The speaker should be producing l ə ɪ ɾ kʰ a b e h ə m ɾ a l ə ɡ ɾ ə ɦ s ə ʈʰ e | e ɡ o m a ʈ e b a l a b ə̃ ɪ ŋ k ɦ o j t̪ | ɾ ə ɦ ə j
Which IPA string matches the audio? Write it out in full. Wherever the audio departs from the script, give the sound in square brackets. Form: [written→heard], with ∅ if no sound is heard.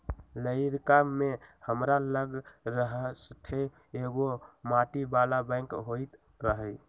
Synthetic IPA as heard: l ə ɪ ɾ [kʰ→k] a [b→m] e h ə m ɾ a l ə ɡ ɾ ə ɦ s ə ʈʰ e | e ɡ o m a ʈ [e→i] b a l a b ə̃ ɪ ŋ k ɦ o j t̪ | ɾ ə ɦ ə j